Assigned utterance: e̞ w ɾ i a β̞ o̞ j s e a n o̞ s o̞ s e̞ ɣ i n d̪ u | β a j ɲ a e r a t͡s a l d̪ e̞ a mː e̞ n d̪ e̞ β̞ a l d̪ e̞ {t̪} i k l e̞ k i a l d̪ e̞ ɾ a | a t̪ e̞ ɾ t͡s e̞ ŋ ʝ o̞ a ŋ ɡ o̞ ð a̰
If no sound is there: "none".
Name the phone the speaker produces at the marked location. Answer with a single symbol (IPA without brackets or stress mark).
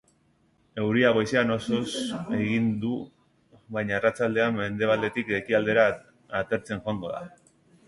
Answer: t̪